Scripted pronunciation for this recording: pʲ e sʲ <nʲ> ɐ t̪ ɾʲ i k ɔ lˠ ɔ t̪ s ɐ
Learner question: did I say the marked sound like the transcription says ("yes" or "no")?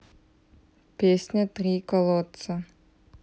yes